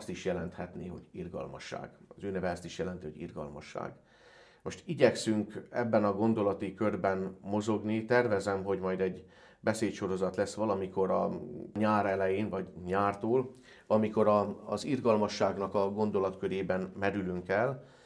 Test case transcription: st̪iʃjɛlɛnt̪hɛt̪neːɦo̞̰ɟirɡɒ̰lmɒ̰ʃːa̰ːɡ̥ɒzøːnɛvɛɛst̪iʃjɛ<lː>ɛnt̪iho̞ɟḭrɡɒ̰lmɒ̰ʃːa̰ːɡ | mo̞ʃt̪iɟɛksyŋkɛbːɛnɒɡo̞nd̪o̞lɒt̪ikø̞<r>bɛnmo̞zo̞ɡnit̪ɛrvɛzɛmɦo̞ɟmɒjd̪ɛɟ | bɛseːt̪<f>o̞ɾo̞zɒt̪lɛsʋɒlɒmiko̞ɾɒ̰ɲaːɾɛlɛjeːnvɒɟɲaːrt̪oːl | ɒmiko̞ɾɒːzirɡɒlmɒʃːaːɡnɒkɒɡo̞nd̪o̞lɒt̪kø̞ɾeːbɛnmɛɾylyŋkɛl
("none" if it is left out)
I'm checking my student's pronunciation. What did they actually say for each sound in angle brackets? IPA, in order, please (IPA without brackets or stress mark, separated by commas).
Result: l, r, ʃ